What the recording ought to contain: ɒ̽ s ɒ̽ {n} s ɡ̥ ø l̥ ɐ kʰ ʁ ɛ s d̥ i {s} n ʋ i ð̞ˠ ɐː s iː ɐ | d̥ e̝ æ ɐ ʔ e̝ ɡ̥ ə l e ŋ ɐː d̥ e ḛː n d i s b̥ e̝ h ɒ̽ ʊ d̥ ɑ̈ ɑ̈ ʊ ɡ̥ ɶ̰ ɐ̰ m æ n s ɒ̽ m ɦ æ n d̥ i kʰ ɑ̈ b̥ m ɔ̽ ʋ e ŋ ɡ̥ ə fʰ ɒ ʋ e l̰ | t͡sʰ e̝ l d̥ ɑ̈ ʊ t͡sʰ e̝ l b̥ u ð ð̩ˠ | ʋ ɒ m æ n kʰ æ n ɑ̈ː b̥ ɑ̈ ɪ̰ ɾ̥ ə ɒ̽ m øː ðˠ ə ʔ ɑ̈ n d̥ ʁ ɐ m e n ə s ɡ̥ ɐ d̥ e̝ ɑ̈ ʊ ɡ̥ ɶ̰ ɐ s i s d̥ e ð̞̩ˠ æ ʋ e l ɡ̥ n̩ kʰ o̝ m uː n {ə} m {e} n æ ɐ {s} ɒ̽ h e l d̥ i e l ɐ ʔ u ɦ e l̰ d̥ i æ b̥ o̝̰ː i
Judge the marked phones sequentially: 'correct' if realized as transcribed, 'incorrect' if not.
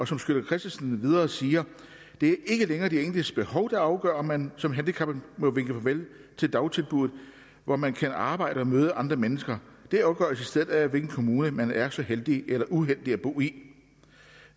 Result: incorrect, correct, correct, incorrect, correct

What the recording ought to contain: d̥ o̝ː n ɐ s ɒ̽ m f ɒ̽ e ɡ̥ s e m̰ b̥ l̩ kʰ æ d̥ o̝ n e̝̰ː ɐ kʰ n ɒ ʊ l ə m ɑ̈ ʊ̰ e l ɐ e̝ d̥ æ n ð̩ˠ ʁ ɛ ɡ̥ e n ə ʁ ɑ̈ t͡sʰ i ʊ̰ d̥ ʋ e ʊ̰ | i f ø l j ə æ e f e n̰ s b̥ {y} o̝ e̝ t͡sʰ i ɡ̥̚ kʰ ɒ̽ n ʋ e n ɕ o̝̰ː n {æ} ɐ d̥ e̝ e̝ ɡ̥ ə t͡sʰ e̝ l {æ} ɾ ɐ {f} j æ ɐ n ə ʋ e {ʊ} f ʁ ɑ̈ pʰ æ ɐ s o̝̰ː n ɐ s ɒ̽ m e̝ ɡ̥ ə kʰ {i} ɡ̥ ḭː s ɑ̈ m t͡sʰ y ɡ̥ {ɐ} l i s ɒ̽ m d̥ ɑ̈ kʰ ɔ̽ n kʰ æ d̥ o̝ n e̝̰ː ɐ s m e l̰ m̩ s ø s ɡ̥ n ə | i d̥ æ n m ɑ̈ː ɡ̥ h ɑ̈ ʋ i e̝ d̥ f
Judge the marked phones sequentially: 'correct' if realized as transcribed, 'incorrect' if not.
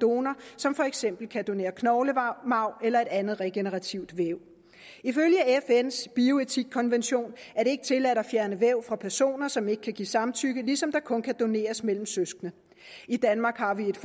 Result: incorrect, correct, correct, correct, correct, incorrect, incorrect

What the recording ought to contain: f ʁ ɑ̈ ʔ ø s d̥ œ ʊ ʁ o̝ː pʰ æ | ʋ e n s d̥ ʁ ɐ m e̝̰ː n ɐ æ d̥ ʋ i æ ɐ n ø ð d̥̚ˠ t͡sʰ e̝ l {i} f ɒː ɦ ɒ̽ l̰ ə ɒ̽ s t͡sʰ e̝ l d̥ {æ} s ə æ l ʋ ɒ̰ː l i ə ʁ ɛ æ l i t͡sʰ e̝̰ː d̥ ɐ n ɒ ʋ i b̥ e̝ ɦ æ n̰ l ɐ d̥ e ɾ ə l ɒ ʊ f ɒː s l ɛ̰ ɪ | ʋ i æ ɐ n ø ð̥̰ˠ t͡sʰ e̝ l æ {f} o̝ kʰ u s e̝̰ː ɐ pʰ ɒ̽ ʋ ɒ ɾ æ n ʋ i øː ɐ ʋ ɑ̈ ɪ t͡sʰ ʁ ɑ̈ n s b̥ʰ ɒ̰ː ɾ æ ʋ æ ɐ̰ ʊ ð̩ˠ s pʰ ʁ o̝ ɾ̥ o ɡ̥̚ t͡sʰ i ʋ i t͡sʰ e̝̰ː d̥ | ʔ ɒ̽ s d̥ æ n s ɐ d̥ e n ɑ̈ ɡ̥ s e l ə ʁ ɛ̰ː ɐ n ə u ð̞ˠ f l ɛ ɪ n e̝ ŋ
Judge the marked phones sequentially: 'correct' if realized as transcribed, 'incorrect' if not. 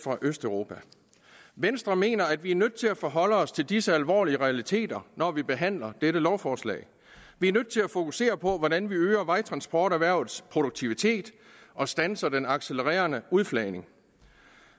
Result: incorrect, incorrect, correct

